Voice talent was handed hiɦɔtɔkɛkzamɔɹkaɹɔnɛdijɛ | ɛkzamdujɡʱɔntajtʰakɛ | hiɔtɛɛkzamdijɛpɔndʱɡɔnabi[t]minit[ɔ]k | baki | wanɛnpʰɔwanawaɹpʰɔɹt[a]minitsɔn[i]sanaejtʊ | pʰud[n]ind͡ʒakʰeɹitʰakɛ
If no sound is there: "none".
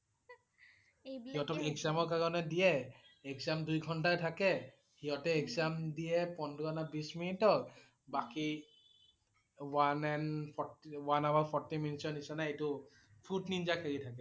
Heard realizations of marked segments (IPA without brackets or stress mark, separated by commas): s, ɔ, i, i, n